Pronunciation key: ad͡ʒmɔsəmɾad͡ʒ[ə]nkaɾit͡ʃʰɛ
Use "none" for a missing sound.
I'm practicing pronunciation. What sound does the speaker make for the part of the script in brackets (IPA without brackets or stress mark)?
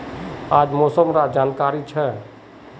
a